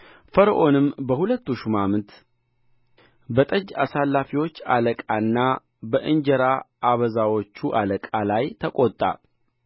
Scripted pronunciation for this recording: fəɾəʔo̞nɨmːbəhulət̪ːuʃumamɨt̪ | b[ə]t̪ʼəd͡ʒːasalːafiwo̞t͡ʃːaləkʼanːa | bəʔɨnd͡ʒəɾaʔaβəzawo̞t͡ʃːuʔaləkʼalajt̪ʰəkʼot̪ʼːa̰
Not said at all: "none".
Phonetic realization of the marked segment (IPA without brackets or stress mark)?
ə